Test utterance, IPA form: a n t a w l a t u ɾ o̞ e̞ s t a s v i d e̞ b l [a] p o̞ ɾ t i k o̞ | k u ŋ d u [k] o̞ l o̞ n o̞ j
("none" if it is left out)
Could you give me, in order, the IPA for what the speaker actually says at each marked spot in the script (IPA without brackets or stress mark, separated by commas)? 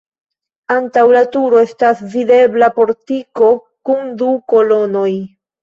a, k